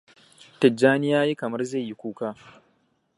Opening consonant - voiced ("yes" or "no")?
no